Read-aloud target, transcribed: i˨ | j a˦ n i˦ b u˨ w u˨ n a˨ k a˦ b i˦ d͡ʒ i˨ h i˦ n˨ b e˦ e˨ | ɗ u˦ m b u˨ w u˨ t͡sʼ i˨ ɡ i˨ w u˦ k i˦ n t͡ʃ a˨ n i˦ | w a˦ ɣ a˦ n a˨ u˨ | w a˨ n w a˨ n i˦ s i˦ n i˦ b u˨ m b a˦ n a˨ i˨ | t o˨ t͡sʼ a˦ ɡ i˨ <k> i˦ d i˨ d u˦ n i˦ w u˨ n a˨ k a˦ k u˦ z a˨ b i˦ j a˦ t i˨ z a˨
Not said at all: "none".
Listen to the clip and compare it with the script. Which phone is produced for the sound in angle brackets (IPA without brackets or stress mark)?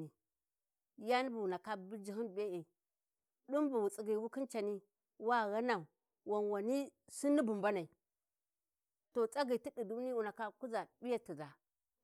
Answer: t